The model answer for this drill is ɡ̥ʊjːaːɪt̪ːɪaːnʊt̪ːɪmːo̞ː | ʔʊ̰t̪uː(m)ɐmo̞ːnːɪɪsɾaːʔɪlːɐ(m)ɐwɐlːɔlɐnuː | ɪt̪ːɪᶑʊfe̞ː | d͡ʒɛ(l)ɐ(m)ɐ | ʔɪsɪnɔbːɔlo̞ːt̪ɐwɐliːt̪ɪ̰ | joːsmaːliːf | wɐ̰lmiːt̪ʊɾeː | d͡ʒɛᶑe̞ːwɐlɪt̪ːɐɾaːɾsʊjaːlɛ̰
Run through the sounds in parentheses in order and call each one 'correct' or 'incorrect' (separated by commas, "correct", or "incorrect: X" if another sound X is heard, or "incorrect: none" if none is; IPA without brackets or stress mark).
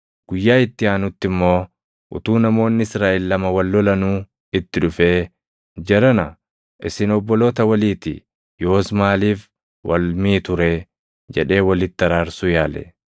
incorrect: n, correct, incorrect: ɾ, incorrect: n